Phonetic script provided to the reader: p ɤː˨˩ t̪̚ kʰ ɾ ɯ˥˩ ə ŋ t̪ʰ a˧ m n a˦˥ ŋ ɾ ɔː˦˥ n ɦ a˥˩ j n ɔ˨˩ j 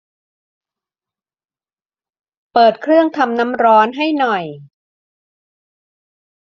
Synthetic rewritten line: p ɤː˨˩ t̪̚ kʰ ɾ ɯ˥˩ ə ŋ t̪ʰ a˧ m n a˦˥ m ɾ ɔː˦˥ n ɦ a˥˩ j n ɔ˨˩ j